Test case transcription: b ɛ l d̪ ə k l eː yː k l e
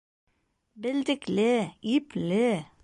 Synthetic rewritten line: b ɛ l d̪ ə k l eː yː p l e

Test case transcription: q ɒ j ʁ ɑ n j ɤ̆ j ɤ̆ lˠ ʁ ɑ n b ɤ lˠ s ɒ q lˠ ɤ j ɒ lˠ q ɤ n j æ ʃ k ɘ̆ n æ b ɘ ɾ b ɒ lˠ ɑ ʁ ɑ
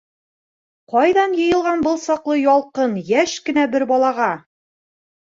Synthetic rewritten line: q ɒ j ð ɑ n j ɤ̆ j ɤ̆ lˠ ʁ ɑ n b ɤ lˠ s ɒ q lˠ ɤ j ɒ lˠ q ɤ n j æ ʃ k ɘ̆ n æ b ɘ ɾ b ɒ lˠ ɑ ʁ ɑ

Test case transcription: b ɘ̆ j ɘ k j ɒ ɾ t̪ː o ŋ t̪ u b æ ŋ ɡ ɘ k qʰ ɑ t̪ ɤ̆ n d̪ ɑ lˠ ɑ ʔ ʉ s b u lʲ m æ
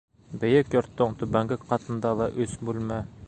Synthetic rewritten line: b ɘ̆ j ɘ k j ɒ ɾ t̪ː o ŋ t̪ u b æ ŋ ɡ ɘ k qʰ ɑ t̪ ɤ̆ n d̪ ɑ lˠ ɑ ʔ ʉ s b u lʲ m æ

